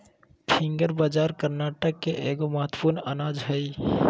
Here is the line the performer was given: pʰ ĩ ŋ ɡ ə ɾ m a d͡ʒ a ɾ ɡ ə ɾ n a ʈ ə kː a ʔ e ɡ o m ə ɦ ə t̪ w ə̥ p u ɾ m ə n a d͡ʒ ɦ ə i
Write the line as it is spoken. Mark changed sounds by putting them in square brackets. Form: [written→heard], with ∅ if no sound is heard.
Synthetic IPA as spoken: pʰ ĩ ŋ ɡ ə ɾ [m→b] a d͡ʒ a ɾ [ɡ→k] ə ɾ n a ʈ ə kː [a→e] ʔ e ɡ o m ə ɦ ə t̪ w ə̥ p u ɾ [m→n] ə n a d͡ʒ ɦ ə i